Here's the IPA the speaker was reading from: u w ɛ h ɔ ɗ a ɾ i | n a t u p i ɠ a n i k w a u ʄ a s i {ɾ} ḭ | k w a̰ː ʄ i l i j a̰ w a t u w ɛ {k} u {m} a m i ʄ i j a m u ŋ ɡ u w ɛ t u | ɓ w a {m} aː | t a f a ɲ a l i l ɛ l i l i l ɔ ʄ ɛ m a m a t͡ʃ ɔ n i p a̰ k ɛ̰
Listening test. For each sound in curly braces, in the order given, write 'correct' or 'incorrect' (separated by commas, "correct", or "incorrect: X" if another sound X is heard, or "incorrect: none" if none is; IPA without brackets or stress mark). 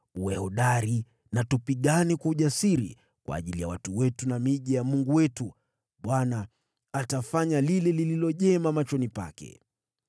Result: correct, incorrect: t, incorrect: n, incorrect: n